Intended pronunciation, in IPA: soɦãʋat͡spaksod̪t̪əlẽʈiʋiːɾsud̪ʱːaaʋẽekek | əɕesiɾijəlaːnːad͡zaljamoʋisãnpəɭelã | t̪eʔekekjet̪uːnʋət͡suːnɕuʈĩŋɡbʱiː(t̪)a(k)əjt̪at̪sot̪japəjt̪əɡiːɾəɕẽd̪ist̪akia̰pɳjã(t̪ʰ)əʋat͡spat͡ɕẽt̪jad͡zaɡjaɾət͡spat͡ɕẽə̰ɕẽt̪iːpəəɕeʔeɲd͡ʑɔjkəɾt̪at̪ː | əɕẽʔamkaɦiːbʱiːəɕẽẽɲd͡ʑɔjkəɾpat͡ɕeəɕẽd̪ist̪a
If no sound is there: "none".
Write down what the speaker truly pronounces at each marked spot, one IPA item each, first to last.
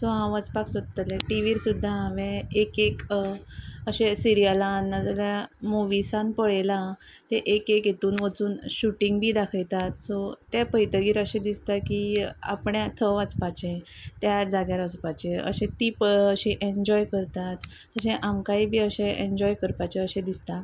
d̪, kʰ, t̪ʰ

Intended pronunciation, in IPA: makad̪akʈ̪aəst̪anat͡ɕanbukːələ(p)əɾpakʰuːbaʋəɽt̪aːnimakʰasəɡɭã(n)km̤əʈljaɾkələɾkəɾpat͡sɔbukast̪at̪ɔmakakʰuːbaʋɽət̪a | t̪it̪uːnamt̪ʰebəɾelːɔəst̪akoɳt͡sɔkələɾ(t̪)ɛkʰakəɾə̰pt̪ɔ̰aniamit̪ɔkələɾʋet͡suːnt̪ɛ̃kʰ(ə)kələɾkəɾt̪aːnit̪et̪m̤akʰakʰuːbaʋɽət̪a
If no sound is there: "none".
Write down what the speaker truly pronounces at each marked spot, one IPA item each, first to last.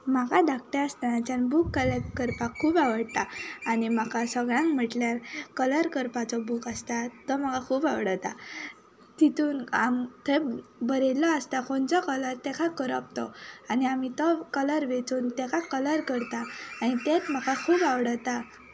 k, ŋ, t̪, a

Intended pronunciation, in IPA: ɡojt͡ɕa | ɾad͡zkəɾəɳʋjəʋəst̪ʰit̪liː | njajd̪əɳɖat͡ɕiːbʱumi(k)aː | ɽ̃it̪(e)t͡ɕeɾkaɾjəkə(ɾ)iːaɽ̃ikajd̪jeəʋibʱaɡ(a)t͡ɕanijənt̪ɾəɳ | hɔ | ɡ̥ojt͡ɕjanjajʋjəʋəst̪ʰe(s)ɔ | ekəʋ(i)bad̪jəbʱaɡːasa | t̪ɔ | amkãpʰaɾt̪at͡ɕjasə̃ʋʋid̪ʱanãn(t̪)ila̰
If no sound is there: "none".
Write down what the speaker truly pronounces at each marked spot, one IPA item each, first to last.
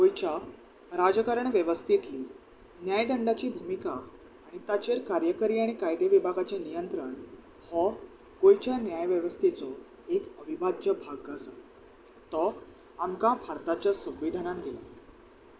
k, a, ɾ, a, t͡s, i, d̪

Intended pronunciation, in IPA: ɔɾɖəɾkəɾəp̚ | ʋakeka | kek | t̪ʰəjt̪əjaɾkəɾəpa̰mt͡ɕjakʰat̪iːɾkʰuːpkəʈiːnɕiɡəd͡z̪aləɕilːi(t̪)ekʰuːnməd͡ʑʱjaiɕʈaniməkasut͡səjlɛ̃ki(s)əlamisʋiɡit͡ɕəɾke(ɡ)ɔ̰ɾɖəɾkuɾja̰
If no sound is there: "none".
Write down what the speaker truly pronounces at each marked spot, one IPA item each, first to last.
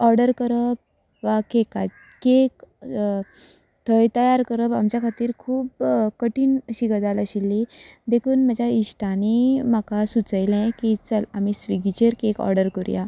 d̪, t͡s, k

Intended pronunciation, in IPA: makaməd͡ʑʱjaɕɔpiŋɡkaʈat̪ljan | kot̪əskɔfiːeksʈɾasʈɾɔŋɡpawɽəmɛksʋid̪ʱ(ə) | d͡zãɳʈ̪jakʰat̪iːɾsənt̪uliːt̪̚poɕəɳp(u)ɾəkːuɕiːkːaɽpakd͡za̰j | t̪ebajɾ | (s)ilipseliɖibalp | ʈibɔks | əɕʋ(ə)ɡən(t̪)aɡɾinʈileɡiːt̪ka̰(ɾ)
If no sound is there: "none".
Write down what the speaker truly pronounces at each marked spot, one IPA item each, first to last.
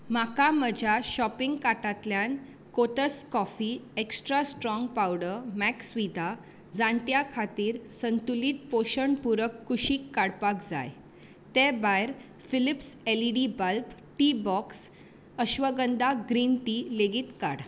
a, u, f, ə, d̪, ɽ

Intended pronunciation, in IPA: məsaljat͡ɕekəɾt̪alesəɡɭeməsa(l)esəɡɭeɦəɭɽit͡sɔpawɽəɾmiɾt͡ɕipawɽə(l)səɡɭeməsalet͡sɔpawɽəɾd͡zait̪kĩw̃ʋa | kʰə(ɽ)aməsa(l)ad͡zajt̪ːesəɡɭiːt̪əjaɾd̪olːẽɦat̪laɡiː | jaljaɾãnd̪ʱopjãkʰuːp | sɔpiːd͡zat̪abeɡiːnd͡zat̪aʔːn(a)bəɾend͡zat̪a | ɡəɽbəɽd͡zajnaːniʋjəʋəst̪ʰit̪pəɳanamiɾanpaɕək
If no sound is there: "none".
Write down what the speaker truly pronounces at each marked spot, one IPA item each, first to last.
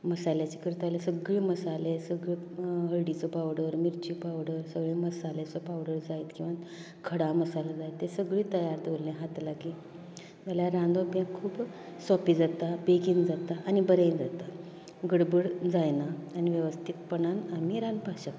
l, ɾ, ɽ, l, i

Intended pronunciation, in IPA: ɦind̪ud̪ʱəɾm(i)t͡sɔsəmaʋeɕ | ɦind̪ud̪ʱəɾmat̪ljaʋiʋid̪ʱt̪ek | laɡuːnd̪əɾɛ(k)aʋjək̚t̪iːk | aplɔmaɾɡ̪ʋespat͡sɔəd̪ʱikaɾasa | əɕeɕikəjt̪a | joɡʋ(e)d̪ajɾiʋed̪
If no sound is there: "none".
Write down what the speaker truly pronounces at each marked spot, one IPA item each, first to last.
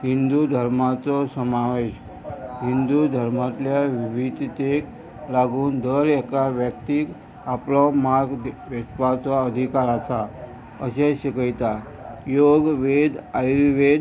a, k, e

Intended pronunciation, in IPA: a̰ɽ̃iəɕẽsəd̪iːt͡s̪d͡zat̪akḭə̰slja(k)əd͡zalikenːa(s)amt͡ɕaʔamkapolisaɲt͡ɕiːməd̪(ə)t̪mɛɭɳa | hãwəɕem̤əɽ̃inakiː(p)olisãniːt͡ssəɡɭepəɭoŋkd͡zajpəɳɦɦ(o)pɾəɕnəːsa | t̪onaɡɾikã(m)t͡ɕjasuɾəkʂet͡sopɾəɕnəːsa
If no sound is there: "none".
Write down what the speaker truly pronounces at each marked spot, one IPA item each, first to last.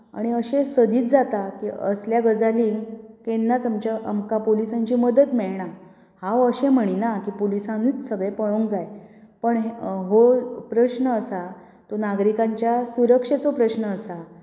ɡ, t͡s, ə, p, o, ɲ

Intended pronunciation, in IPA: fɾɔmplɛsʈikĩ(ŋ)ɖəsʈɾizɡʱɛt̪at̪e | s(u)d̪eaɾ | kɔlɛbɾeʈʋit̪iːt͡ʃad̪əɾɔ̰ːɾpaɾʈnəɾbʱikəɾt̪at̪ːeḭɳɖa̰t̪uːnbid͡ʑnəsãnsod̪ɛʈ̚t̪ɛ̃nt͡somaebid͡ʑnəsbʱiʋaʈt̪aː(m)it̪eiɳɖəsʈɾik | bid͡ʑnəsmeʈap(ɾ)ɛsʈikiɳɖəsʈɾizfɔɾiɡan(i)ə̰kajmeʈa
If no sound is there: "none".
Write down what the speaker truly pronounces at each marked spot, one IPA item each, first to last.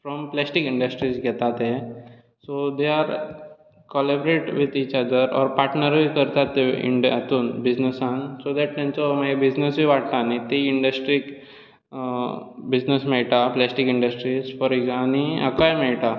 ɳ, o, n, l, i

